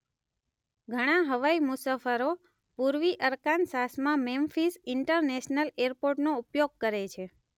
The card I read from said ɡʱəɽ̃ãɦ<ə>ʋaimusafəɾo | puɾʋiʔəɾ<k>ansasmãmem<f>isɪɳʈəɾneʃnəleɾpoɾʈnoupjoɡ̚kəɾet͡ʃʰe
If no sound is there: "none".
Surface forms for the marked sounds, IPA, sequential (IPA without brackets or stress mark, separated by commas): ə, k, f